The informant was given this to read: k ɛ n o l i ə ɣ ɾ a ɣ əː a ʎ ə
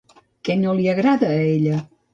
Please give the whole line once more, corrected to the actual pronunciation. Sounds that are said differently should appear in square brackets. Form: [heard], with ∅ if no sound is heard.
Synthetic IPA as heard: k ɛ n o l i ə ɣ ɾ a [ð] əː [e] ʎ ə

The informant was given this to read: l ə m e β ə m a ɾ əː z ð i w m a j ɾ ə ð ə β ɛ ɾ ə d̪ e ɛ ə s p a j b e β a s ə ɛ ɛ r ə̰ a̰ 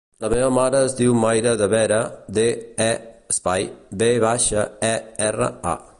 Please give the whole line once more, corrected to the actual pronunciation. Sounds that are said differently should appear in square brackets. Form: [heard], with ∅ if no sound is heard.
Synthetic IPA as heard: l ə m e β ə m a ɾ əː z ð i w m a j ɾ ə ð ə β ɛ ɾ ə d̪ e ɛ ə s p a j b e β a [ʃ] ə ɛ ɛ r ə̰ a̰

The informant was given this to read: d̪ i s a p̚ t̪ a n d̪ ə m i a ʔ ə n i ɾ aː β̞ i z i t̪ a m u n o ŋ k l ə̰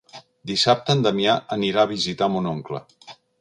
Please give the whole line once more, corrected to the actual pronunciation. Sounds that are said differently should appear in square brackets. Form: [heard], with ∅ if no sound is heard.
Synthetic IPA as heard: d̪ i s a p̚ t̪ [ə] n d̪ ə m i a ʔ ə n i ɾ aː β̞ i z i t̪ a m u n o ŋ k l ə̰

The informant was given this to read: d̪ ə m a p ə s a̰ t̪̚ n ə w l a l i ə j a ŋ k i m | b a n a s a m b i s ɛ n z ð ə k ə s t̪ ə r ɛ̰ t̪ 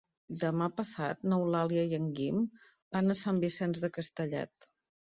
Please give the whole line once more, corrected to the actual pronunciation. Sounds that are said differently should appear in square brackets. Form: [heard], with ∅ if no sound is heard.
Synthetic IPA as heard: d̪ ə m a p ə s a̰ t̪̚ n ə w l a l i ə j [ə] ŋ [ɡ] i m | b a n [ə] s a m b i s ɛ n z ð ə k ə s t̪ ə [ʎ] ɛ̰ t̪

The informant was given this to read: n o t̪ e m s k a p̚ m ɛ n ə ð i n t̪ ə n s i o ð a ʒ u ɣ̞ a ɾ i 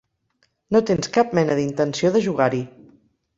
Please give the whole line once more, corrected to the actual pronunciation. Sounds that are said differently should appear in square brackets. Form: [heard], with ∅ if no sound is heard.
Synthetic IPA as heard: n o t̪ e [n] s k a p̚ m ɛ n ə ð i n t̪ ə n s i o ð [ə] ʒ u ɣ̞ a ɾ i

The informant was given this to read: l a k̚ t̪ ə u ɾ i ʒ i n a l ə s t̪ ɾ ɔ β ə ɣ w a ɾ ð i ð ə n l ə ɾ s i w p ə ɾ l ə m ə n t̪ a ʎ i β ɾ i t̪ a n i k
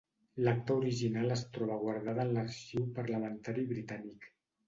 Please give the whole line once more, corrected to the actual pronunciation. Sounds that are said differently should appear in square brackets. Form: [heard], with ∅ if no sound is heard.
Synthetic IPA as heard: l a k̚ t̪ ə u ɾ i ʒ i n a l ə s t̪ ɾ ɔ β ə ɣ w a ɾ ð [a] ð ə n l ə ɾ [ʃ] i w p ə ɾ l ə m ə n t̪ a [ɾ] i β ɾ i t̪ a n i k

